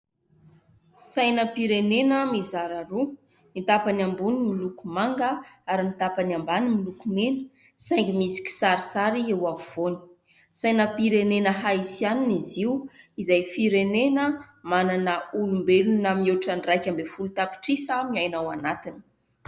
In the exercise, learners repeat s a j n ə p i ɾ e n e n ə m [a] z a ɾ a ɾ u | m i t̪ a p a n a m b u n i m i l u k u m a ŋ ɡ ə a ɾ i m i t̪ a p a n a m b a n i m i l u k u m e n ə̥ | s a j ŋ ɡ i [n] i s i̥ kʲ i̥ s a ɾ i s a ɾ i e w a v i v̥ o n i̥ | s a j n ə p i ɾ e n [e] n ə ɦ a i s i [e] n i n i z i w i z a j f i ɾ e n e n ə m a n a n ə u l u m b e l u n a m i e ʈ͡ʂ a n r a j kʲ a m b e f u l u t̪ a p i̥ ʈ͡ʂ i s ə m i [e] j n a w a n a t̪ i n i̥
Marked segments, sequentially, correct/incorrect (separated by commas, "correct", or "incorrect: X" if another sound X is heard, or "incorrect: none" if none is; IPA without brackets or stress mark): incorrect: i, incorrect: m, correct, incorrect: a, incorrect: a